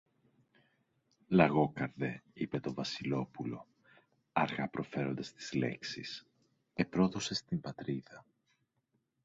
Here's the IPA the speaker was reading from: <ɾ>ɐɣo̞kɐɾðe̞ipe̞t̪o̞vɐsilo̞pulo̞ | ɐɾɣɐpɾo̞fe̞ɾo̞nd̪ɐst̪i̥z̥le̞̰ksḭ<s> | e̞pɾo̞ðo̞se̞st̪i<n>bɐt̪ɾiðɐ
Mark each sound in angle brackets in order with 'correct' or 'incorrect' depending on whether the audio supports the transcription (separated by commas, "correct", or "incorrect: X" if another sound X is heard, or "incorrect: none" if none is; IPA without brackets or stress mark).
incorrect: l, correct, incorrect: m